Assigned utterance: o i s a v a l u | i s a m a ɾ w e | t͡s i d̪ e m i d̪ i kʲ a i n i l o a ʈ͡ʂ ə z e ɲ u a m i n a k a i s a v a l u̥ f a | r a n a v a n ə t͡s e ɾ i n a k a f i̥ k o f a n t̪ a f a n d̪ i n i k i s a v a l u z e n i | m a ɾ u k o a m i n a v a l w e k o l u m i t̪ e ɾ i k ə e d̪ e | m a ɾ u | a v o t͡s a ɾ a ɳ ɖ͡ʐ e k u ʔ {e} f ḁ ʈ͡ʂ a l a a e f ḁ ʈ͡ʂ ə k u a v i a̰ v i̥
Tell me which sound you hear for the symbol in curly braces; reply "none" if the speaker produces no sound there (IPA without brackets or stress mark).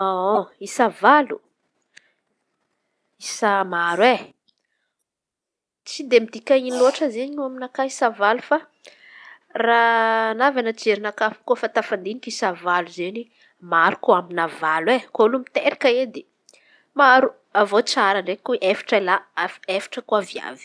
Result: e